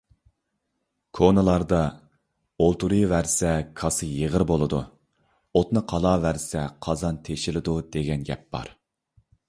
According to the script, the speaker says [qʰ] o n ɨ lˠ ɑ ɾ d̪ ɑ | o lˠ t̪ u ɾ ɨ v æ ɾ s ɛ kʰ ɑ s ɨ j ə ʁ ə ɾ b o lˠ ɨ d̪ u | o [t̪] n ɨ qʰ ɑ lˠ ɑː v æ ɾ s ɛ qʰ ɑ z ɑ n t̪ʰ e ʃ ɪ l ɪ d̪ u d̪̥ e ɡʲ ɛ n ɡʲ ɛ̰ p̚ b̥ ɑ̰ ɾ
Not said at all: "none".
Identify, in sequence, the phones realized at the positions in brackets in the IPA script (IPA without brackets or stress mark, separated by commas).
kʰ, t̪